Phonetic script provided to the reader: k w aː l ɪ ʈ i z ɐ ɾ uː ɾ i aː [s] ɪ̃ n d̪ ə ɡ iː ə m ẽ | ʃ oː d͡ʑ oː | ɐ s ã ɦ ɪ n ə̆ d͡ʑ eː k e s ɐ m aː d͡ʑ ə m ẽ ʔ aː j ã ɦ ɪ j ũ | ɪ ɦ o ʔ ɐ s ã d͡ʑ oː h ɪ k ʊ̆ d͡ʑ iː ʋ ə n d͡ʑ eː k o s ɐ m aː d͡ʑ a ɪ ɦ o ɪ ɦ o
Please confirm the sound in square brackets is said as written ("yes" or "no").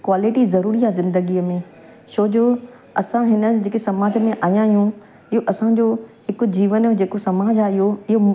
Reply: no